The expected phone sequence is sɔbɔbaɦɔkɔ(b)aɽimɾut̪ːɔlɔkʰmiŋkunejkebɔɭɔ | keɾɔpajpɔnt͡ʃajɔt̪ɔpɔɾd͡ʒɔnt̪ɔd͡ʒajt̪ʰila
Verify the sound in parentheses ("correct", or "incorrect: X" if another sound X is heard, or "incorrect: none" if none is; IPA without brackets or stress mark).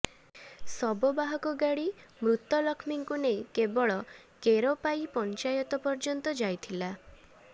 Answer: incorrect: ɡ